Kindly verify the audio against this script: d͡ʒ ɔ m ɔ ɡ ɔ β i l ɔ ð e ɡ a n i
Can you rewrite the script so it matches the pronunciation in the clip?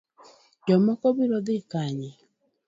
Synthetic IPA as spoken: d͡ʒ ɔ m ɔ k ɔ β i ɾ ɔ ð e k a ɲ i